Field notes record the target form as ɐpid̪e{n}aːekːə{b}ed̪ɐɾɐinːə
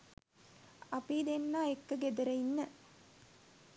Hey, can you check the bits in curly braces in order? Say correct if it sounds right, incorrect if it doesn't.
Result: incorrect: nː, incorrect: ɡ

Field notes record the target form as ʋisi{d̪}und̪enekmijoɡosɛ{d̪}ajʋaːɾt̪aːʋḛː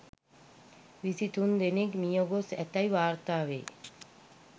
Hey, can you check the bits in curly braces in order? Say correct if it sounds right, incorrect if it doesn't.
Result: incorrect: t̪, incorrect: t̪

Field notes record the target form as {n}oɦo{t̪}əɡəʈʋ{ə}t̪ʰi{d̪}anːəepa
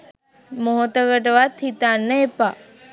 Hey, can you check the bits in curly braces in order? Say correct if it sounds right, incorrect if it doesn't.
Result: incorrect: m, correct, incorrect: a, incorrect: t̪

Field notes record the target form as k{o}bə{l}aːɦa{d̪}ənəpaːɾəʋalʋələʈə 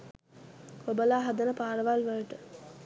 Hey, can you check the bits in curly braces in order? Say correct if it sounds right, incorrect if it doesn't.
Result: correct, correct, correct

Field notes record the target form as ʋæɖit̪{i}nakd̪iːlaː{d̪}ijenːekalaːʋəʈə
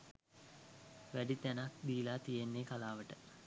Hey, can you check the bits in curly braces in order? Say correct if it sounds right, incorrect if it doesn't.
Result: incorrect: æ, incorrect: t̪

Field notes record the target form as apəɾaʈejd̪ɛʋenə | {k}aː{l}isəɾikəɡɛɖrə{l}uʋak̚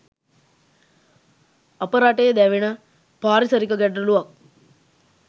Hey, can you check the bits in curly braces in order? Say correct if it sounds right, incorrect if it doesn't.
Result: incorrect: p, incorrect: ɾ, correct

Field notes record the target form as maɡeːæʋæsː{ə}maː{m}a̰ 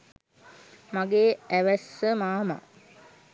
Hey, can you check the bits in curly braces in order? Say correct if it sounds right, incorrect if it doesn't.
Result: correct, correct

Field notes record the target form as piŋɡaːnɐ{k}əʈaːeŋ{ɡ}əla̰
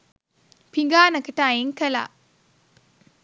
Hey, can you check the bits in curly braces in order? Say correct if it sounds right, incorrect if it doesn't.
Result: correct, incorrect: k

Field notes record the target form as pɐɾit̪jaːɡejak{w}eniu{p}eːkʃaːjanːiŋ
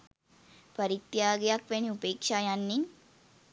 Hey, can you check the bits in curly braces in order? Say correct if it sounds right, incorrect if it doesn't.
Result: incorrect: ʋ, correct

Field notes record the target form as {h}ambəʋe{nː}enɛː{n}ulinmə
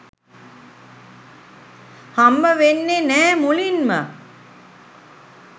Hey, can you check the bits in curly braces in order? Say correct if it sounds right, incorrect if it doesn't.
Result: correct, correct, incorrect: m

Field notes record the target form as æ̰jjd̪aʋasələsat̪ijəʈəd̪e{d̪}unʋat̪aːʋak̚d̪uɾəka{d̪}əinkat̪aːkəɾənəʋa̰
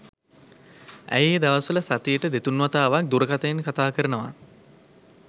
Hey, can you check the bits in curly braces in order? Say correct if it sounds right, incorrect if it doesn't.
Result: incorrect: t̪, incorrect: t̪

